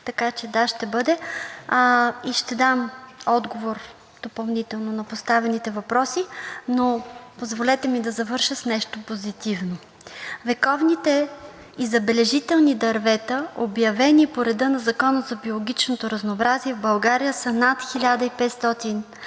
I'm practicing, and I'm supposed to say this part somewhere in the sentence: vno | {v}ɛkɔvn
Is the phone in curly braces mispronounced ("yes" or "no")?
no